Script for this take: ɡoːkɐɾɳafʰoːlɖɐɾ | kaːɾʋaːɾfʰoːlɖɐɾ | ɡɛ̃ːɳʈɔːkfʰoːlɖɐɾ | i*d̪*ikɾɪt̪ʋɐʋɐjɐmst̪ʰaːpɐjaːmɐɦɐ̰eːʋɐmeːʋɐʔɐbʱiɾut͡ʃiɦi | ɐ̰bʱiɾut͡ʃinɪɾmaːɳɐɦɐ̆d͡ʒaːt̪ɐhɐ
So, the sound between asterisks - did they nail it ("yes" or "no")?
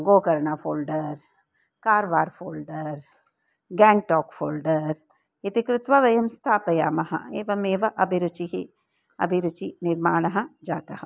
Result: no